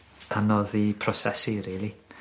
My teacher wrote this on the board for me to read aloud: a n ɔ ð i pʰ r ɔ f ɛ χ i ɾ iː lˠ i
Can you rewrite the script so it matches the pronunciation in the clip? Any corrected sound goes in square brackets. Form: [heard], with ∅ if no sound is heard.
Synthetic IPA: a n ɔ ð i pʰ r ɔ [s] ɛ [s] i ɾ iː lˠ i